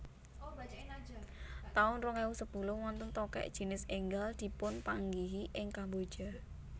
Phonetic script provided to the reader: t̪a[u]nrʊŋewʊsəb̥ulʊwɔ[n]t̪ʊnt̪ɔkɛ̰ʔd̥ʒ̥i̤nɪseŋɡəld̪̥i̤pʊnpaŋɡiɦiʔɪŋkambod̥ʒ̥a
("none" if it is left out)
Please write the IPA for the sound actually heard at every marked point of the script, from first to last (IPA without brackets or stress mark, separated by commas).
ʊ, n